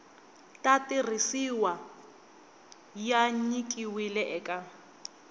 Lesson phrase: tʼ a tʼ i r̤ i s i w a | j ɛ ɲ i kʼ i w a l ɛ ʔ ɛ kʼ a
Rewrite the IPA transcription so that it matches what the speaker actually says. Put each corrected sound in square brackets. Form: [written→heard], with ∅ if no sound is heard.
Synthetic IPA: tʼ a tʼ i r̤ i s i w a | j [ɛ→a] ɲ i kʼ i w [a→i] l ɛ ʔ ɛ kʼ a